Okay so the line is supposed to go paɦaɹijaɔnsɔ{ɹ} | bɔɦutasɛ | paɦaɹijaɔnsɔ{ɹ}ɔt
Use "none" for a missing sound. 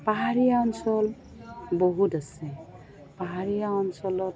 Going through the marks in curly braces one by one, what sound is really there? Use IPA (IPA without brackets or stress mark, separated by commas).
l, l